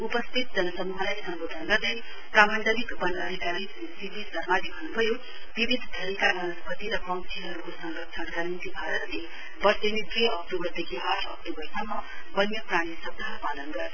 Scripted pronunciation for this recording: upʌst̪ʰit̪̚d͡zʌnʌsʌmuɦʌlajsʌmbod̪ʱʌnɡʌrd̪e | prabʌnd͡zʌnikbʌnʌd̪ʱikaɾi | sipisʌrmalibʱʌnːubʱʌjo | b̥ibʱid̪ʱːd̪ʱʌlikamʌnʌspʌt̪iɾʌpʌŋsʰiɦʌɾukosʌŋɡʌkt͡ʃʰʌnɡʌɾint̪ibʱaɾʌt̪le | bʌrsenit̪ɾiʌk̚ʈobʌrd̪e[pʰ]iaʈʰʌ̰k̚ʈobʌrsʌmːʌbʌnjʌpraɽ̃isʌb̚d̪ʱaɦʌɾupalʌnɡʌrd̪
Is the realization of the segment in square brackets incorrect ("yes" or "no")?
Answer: yes